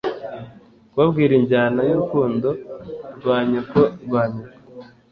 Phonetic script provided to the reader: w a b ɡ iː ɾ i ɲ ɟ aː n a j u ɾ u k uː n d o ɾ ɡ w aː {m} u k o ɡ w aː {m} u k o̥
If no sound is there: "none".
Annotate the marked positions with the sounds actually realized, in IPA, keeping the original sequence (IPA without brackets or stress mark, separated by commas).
ɲ, ɲ